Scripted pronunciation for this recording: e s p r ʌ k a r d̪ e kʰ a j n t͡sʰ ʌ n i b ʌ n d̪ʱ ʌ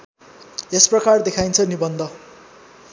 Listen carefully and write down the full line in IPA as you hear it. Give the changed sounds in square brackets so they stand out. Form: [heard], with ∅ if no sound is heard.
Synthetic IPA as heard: e s p r ʌ k a r d̪ e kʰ a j n t͡sʰ ʌ n i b ʌ n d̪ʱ ʌ